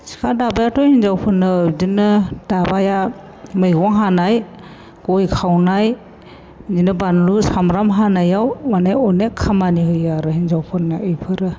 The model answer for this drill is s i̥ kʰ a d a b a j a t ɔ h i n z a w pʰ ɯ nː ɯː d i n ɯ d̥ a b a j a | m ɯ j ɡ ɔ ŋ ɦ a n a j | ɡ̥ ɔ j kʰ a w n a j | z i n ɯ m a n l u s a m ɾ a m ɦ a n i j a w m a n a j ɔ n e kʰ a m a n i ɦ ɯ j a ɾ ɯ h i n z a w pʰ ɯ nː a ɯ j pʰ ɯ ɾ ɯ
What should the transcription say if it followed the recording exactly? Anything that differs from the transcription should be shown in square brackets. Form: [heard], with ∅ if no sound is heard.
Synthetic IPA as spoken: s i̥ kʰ a d a b a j a t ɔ h i n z a w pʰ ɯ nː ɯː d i n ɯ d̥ a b a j a | m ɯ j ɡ ɔ ŋ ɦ a n a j | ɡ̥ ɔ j kʰ a w n a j | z i n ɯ [b] a n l u s a m ɾ a m ɦ a n [a] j a w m a n a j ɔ n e kʰ a m a n i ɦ ɯ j a ɾ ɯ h i n z a w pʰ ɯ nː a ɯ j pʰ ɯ ɾ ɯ